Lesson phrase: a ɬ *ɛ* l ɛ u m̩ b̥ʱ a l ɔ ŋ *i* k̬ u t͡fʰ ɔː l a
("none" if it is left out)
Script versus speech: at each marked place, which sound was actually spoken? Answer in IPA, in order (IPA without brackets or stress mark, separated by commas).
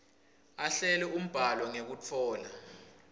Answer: ɛ, e